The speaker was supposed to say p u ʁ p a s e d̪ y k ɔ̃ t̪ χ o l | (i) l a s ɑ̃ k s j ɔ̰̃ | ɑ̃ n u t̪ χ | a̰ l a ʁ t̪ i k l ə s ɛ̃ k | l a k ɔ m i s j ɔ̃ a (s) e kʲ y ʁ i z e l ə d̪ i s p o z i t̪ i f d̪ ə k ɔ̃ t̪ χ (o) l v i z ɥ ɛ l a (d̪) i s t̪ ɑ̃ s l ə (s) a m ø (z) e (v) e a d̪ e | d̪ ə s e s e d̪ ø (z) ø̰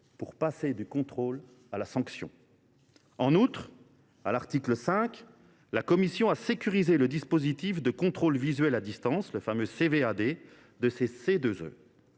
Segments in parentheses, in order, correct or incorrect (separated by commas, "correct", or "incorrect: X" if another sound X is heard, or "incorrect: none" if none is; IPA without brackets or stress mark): incorrect: a, correct, correct, correct, incorrect: f, incorrect: s, correct, correct